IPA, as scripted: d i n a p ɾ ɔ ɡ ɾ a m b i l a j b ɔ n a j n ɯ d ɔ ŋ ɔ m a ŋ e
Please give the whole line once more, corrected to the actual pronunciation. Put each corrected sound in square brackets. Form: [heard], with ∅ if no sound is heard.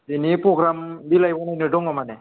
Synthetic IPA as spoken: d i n [i] p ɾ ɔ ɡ ɾ a m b i l a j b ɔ n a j n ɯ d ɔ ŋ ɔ m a [n] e